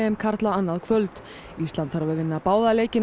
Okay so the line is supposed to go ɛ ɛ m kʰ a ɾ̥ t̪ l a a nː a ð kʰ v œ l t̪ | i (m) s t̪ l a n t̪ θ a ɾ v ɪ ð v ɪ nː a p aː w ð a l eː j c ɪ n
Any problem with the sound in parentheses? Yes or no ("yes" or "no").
yes